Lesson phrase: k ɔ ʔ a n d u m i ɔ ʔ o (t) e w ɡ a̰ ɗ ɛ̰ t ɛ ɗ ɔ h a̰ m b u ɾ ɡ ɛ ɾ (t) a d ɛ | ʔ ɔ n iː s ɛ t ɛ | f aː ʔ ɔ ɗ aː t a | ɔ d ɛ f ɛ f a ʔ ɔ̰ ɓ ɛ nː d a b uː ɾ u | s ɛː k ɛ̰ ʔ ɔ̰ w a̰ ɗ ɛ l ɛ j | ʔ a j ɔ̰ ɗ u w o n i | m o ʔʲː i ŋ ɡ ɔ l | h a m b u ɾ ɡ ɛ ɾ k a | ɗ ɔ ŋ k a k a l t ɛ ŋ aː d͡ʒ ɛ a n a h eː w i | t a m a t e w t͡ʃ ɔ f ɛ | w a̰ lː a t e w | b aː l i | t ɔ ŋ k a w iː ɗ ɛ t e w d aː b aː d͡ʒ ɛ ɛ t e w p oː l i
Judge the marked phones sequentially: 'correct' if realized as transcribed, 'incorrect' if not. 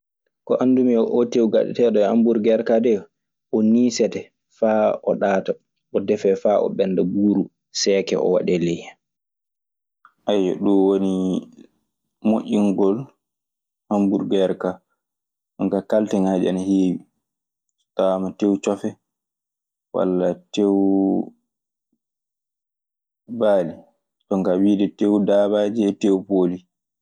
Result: correct, incorrect

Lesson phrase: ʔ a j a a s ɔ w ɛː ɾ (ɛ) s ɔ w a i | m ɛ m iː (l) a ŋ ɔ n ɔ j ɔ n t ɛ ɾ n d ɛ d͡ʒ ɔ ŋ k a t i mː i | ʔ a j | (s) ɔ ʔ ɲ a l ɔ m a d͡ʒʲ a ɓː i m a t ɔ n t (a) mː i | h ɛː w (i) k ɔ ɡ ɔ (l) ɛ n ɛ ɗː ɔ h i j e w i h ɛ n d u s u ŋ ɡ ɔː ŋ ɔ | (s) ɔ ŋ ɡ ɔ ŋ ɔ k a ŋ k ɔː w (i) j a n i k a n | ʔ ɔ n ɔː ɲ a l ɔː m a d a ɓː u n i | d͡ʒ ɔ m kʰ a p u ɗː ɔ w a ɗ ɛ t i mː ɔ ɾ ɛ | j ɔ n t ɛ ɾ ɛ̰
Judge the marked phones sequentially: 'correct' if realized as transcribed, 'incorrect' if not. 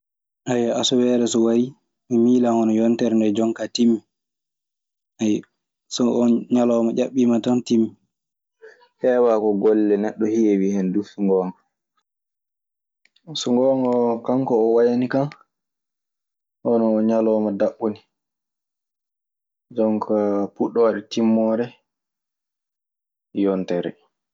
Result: correct, correct, correct, incorrect, incorrect, incorrect, correct, incorrect

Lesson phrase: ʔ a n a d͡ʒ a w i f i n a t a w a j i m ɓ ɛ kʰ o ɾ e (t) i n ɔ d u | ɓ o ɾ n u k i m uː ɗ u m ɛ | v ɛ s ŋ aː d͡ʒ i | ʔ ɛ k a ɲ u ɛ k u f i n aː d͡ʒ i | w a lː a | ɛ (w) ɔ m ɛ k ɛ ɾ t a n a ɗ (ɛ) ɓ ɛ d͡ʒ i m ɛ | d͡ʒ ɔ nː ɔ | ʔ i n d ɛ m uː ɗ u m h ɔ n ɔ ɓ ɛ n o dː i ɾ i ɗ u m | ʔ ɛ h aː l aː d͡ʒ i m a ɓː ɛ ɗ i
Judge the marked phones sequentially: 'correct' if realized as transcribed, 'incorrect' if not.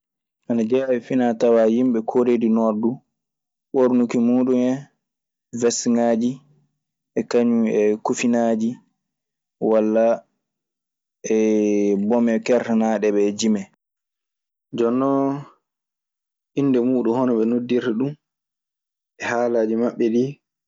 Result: incorrect, incorrect, correct

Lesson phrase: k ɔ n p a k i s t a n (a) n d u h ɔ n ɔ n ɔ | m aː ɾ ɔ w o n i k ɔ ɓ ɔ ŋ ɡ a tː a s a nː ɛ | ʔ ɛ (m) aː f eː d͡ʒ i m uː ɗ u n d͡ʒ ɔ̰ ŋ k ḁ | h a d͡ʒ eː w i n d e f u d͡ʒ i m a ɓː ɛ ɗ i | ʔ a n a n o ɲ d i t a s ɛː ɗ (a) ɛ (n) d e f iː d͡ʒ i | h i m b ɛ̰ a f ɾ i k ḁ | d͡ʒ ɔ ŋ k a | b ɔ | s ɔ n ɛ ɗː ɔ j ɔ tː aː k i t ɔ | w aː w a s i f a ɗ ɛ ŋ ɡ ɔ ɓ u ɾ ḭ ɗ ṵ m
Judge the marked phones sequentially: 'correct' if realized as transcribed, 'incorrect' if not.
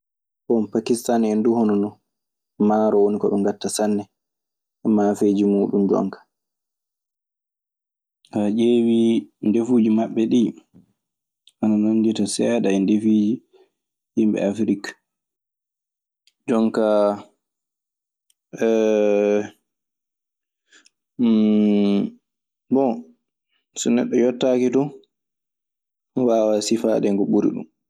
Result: incorrect, correct, correct, correct

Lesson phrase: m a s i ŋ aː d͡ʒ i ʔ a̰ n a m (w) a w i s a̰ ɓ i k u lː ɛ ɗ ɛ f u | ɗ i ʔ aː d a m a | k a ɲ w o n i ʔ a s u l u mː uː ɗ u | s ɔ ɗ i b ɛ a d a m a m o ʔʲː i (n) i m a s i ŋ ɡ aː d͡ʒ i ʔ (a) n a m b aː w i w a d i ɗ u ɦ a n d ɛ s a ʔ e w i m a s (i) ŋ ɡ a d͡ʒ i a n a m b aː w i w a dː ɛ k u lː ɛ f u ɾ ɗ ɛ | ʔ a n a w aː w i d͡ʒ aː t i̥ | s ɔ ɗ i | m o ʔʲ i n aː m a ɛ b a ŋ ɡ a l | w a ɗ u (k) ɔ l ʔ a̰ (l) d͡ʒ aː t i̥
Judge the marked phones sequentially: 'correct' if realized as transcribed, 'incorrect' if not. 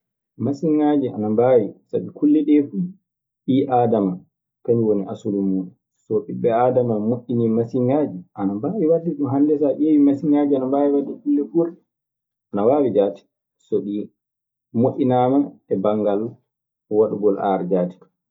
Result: incorrect, correct, correct, correct, incorrect, incorrect

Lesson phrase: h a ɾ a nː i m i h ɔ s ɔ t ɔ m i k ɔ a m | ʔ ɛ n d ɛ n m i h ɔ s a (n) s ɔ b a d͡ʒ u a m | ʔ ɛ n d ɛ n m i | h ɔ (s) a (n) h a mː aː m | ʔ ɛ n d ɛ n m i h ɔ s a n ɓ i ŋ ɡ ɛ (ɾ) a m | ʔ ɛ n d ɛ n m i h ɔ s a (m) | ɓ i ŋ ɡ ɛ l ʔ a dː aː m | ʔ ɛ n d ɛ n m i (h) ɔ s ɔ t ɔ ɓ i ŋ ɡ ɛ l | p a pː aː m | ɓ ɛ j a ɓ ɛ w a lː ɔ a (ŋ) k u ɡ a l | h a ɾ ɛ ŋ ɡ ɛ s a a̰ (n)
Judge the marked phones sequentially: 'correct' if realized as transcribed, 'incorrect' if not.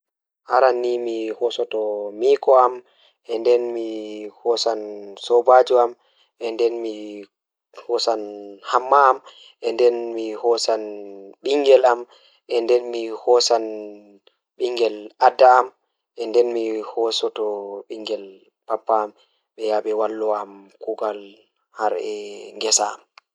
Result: correct, correct, correct, incorrect, incorrect, correct, incorrect, incorrect

